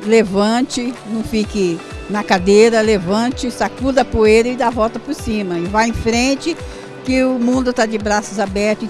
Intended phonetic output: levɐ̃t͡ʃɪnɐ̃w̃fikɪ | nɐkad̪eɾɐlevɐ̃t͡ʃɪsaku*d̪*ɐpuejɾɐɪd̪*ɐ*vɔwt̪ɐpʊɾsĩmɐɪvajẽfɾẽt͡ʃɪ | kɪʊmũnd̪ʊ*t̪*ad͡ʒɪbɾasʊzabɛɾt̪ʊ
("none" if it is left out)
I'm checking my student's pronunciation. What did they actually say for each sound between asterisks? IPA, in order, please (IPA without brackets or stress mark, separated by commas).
d̪, a, t̪